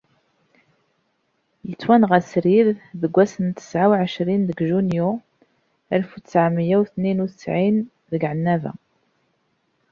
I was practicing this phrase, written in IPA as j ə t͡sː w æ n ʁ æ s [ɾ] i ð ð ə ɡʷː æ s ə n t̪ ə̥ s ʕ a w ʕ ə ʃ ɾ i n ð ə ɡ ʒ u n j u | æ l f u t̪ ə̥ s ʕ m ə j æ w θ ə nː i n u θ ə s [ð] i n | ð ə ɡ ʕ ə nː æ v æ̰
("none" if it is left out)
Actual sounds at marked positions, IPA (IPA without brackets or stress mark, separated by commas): ɾ, ʕ